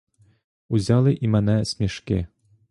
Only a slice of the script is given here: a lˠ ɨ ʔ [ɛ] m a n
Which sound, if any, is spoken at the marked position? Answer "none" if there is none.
i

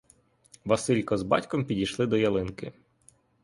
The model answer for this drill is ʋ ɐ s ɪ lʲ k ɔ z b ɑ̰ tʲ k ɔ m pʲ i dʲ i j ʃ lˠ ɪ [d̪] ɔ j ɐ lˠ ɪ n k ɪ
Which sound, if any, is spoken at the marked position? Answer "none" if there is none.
d̪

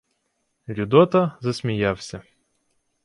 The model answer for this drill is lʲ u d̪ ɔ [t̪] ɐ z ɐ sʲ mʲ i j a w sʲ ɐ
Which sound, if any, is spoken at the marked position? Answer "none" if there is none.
t̪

